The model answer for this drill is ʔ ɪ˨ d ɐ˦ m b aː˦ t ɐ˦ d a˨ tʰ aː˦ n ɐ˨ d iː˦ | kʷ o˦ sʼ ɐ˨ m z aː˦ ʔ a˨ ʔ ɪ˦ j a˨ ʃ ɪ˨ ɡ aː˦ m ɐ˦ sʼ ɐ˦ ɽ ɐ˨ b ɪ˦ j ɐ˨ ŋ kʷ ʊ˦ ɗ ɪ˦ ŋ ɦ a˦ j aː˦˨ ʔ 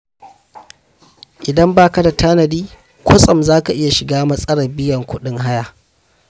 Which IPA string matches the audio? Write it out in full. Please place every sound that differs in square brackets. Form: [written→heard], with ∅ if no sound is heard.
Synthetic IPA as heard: ʔ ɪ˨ d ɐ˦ m b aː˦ [t→k] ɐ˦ d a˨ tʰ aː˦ n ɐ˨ d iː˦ | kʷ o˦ sʼ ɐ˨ m z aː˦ [ʔ→k] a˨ ʔ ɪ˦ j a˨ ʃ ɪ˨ ɡ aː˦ m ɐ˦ sʼ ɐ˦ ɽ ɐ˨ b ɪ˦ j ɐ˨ ŋ kʷ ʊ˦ ɗ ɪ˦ ŋ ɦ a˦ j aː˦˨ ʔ